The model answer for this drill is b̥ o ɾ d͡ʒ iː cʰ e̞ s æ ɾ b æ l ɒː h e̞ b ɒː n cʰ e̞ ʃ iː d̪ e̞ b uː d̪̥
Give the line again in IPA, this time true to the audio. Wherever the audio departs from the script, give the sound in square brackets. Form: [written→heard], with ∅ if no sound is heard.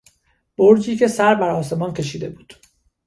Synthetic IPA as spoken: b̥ o ɾ d͡ʒ iː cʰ e̞ s æ ɾ b æ [l→ɾ] ɒː [h→s] e̞ [b→m] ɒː n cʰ e̞ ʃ iː d̪ e̞ b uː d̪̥